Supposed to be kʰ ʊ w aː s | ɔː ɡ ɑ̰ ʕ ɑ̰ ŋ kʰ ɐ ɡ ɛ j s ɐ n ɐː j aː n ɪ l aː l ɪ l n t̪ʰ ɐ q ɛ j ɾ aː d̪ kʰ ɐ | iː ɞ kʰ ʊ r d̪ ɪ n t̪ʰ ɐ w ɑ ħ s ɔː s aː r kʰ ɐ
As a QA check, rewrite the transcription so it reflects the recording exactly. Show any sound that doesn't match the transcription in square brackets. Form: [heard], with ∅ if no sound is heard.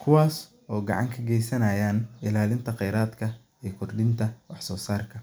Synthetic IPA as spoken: kʰ ʊ w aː s | ɔː ɡ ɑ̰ ʕ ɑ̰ ŋ kʰ ɐ ɡ ɛ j s ɐ n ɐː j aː n ɪ l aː l ɪ [∅] n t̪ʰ ɐ q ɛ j ɾ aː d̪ kʰ ɐ | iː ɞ kʰ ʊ r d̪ ɪ n t̪ʰ ɐ w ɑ ħ s ɔː s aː r kʰ ɐ